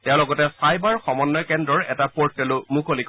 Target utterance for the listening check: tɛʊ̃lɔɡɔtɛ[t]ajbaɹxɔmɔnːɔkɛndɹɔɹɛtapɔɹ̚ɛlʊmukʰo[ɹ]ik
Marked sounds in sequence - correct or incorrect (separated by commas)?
incorrect, incorrect